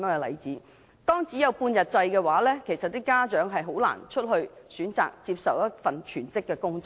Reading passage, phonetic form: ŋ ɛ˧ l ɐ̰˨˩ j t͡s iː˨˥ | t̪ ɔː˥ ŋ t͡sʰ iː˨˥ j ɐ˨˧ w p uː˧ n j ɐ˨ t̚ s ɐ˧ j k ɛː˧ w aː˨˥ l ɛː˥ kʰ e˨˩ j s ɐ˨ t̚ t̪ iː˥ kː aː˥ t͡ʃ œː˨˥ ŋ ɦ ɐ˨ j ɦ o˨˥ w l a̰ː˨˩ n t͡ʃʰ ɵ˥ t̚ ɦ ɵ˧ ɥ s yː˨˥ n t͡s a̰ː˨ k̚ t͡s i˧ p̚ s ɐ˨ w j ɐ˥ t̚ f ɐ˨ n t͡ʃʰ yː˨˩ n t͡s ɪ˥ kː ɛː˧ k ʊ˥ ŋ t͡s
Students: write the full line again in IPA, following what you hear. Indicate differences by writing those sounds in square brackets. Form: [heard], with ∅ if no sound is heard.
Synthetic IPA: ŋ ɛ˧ l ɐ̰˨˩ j t͡s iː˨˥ | t̪ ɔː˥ ŋ [t͡s] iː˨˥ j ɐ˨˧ w p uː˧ n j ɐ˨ t̚ [t͡s] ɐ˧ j k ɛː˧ w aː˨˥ l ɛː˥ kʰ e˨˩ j s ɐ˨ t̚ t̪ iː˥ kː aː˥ t͡ʃ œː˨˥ ŋ ɦ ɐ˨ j ɦ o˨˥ w l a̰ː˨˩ n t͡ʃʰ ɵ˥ t̚ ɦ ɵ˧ ɥ s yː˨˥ n t͡s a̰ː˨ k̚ t͡s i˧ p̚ s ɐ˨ w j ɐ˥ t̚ f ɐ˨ n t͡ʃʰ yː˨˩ n t͡s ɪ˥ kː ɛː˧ k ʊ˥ ŋ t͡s

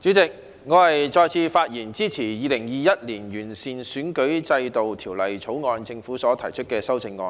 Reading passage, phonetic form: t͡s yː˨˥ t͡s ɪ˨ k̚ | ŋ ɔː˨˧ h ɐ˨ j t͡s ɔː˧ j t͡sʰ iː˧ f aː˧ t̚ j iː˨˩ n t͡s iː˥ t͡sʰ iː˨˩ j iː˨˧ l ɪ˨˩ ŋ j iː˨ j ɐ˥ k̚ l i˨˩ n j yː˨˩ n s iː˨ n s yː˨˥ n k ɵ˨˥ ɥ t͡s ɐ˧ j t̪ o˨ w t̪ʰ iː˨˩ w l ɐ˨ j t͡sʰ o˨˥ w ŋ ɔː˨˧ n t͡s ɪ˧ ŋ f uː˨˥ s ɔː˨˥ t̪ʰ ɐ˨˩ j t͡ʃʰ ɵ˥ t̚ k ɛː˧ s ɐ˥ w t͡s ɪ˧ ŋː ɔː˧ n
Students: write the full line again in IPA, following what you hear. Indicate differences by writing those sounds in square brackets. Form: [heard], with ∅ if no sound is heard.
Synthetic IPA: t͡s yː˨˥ t͡s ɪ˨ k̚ | ŋ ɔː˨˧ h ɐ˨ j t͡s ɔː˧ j t͡sʰ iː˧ f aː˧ t̚ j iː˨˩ n t͡s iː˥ t͡sʰ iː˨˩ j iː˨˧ l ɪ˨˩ ŋ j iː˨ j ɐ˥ [t̚] l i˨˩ n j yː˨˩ n s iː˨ n s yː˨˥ n k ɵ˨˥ ɥ t͡s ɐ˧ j t̪ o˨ w t̪ʰ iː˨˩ w l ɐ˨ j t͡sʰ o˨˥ w ŋ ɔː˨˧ n t͡s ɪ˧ ŋ f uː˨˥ s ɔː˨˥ t̪ʰ ɐ˨˩ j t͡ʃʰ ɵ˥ t̚ k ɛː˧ s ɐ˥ w t͡s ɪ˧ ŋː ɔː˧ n

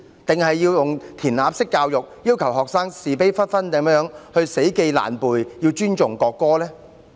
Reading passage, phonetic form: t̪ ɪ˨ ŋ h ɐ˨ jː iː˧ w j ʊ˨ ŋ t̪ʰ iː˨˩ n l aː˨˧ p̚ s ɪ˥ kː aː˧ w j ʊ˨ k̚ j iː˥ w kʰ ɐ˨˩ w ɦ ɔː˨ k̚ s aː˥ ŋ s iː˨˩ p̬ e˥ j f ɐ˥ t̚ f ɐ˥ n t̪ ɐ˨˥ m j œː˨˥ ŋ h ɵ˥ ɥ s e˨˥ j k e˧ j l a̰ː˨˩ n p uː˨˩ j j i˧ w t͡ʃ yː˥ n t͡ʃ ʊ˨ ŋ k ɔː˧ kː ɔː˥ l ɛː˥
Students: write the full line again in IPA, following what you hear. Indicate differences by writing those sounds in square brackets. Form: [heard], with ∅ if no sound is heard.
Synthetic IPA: t̪ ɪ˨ ŋ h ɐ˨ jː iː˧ w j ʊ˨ ŋ t̪ʰ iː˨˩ n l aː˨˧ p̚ s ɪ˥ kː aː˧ w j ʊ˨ k̚ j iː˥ w kʰ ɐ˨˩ w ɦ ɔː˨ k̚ s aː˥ ŋ s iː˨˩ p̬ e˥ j f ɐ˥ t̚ f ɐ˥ n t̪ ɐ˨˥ m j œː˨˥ ŋ h [ɵ˧] ɥ s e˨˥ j k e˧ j l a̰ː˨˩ n p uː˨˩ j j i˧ w t͡ʃ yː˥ n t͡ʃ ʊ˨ ŋ k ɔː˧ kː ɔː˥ l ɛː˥

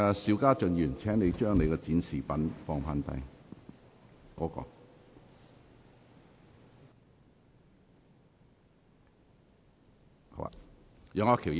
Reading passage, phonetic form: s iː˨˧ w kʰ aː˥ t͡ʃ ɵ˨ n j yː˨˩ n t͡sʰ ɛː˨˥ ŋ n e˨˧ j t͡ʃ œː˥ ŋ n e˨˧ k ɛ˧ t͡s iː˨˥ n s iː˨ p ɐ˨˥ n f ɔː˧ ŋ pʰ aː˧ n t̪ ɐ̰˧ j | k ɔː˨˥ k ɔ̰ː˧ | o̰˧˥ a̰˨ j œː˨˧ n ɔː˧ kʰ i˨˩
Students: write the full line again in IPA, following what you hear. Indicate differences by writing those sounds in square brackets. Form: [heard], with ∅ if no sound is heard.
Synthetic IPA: s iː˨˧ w [k] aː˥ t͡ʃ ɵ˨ n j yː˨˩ n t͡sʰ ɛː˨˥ ŋ n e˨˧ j t͡ʃ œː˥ ŋ n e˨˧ k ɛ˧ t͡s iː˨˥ n s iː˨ p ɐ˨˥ n f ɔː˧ ŋ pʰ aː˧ n t̪ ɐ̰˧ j | k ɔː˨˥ k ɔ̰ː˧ | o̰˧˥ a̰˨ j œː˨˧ [ŋ] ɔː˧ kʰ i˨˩

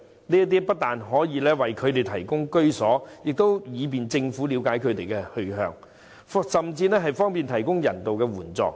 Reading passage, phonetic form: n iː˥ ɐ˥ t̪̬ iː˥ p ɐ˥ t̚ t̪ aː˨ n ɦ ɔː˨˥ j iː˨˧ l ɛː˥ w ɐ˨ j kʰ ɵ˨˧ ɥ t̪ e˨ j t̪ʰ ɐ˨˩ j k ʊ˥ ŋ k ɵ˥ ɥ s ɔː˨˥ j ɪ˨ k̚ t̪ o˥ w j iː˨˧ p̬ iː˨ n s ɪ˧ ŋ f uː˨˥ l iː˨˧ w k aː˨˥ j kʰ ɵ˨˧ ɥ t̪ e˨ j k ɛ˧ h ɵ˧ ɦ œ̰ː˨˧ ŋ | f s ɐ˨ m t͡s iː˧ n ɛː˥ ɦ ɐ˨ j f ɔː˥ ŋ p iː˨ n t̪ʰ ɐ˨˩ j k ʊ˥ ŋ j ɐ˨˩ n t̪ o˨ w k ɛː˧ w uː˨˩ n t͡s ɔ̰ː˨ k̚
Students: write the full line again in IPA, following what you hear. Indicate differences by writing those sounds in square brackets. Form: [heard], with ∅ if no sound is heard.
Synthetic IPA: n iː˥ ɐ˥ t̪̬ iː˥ p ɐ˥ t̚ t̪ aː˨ n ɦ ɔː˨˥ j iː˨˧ l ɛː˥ w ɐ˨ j kʰ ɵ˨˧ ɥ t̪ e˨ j t̪ʰ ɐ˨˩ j k ʊ˥ ŋ k ɵ˥ ɥ s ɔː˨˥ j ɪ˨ k̚ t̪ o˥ w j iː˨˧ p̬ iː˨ n [t͡s] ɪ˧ ŋ f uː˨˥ l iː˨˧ w k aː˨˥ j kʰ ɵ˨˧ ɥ t̪ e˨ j k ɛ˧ h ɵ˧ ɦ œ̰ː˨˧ ŋ | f s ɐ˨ m t͡s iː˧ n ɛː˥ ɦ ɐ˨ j f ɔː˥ ŋ p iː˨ n t̪ʰ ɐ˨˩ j k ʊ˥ ŋ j ɐ˨˩ n t̪ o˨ w k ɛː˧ w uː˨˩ n t͡s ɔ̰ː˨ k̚

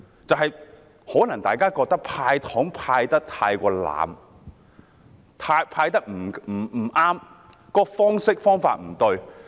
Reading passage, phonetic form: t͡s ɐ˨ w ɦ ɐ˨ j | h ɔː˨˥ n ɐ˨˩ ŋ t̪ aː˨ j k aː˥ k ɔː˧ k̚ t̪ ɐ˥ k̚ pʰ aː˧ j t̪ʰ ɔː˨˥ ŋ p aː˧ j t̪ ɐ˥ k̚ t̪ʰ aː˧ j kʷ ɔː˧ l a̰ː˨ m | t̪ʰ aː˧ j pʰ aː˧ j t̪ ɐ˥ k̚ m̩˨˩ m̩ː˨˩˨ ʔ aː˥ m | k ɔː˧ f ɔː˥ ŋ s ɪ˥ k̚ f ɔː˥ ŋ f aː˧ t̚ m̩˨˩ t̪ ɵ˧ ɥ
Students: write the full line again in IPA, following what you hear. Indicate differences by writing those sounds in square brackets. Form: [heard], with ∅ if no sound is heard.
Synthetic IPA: t͡s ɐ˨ w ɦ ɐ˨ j | h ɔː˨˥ n ɐ˨˩ ŋ t̪ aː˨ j k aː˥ k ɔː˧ k̚ t̪ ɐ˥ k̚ pʰ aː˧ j t̪ʰ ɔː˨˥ ŋ [pʰ] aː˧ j t̪ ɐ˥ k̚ t̪ʰ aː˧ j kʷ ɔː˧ l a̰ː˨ m | t̪ʰ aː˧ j pʰ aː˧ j t̪ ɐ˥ k̚ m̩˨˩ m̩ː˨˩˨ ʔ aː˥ m | k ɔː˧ f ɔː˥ ŋ s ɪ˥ k̚ f ɔː˥ ŋ f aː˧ t̚ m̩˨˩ t̪ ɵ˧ ɥ

